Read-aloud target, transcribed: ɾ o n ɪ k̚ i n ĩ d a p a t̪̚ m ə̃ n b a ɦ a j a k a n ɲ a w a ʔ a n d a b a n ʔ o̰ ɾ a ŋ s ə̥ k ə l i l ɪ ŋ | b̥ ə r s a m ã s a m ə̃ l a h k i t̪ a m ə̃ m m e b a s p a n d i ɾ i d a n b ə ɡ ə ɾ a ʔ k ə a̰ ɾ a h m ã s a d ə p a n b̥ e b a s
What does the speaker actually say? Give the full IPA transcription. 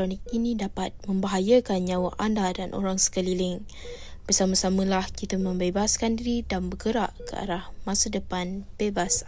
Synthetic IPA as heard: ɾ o n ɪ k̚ i n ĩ d a p a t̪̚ m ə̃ m b a ɦ a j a k a n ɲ a w a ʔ a n d a d a n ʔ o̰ ɾ a ŋ s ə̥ k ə l i l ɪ ŋ | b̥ ə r s a m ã s a m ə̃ l a h k i t̪ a m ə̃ m b e b a s k a n d i ɾ i d a n b ə ɡ ə ɾ a ʔ k ə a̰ ɾ a h m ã s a d ə p a n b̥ e b a s